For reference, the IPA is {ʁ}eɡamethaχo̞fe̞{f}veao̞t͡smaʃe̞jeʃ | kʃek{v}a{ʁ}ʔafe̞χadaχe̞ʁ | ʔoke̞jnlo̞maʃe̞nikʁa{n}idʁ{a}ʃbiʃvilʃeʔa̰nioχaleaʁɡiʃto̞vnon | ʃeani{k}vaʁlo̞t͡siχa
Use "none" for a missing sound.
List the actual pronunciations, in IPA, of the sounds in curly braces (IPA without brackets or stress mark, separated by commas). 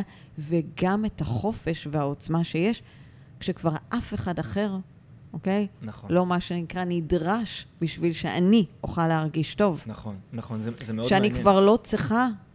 v, ʃ, v, ʁ, n, a, k